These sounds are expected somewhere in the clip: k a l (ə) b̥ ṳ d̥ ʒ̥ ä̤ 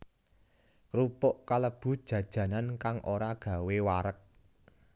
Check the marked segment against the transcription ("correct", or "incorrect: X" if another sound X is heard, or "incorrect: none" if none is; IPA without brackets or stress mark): correct